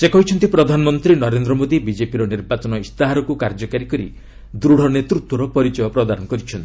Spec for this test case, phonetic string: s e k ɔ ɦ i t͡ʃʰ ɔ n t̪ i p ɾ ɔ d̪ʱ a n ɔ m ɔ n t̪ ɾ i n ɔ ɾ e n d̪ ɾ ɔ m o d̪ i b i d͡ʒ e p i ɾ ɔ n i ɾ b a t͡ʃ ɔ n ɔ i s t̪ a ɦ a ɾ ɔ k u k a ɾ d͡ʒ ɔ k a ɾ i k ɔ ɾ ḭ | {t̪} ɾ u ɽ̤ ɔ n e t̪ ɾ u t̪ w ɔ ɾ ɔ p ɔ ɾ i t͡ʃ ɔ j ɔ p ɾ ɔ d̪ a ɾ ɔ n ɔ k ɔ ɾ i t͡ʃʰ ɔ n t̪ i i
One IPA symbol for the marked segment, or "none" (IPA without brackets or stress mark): d̪